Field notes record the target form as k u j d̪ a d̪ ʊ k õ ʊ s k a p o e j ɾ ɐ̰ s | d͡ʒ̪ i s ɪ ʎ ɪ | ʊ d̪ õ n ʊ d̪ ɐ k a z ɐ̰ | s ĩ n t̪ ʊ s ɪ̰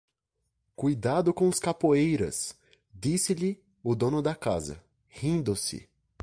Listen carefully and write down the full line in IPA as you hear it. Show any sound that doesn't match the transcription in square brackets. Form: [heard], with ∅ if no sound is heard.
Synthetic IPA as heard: k u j d̪ a d̪ ʊ k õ ʊ s k a p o e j ɾ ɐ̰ s | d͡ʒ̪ i s ɪ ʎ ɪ | ʊ d̪ õ n ʊ d̪ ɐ k a z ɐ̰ | [h] ĩ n [d̪] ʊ s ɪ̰